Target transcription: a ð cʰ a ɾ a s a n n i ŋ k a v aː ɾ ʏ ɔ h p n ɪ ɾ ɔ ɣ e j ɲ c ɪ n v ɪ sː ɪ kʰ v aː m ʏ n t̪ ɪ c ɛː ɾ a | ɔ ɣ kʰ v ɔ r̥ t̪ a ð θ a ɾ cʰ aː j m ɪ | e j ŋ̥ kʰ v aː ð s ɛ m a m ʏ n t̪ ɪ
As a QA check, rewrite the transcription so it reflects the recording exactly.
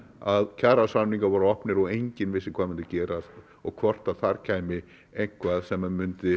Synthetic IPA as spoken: a ð cʰ a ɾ a s a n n i ŋ k a v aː ɾ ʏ ɔ h p n ɪ ɾ ɔ ɣ e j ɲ c ɪ n v ɪ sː ɪ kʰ v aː m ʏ n t̪ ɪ c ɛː ɾ a | ɔ ɣ kʰ v ɔ r̥ t̪ a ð θ a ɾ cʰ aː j m ɪ | e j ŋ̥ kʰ v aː ð s ɛ m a m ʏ n t̪ ɪ